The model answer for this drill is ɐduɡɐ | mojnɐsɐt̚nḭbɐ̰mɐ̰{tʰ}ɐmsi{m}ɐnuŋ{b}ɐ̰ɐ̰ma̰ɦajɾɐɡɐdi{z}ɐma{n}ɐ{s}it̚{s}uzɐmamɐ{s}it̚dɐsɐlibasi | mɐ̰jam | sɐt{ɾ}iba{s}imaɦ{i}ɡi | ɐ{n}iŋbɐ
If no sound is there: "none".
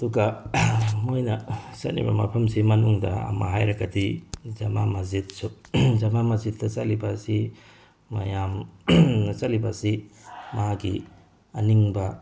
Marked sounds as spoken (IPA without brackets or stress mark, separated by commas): pʰ, m, d, z, m, z, s, z, l, s, a, n